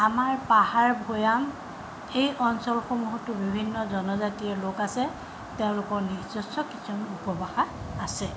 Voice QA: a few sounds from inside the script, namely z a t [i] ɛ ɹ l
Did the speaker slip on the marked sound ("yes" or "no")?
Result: no